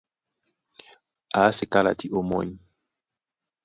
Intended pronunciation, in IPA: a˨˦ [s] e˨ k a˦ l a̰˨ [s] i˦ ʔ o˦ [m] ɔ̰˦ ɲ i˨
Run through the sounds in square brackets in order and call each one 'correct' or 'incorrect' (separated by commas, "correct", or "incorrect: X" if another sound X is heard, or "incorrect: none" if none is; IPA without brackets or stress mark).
correct, incorrect: t, correct